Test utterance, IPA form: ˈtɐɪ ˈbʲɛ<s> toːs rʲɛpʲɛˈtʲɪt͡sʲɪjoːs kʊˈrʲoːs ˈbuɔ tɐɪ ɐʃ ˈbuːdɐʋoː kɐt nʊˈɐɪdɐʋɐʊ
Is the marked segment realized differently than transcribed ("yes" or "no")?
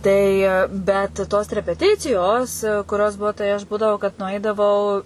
yes